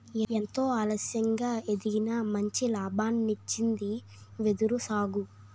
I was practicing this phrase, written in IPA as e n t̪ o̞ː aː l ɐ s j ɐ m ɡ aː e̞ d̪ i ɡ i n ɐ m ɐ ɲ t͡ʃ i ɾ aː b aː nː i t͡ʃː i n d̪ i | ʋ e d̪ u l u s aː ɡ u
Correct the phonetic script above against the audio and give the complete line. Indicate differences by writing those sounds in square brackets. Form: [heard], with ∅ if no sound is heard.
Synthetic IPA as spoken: e n t̪ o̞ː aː l ɐ s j ɐ [ŋ] ɡ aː e̞ d̪ i ɡ i n ɐ m ɐ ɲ t͡ʃ i [l] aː b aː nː i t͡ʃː i n d̪ i | ʋ e d̪ u [ɾ] u s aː ɡ u